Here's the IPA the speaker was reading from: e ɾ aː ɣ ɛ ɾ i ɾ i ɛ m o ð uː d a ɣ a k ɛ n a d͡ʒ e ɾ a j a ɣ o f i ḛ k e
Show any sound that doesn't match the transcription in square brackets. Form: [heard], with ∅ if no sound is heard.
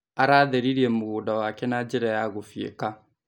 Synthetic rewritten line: [a] ɾ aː [ð] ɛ ɾ i ɾ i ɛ m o [ɣ] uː d a [w] a k ɛ n a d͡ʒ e ɾ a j a ɣ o f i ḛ k [a]